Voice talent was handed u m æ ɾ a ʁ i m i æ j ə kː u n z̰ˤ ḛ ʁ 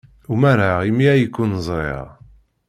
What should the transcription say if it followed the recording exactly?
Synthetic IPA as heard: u m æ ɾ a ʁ i m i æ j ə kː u n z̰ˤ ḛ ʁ